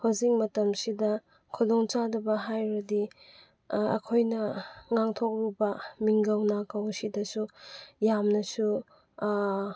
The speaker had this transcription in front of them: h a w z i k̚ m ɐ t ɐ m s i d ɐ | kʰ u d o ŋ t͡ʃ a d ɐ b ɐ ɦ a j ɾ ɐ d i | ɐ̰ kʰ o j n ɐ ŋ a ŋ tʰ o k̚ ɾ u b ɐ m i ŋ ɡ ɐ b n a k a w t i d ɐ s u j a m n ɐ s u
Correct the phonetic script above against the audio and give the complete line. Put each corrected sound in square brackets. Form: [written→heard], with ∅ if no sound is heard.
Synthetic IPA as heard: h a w z i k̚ m ɐ t ɐ m s i d ɐ | kʰ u d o ŋ t͡ʃ a d ɐ b ɐ ɦ a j ɾ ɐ d i | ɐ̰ kʰ o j n ɐ ŋ a ŋ tʰ o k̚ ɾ u b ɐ m i ŋ ɡ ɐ [b→w] n a k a w [t→s] i d ɐ s u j a m n ɐ s u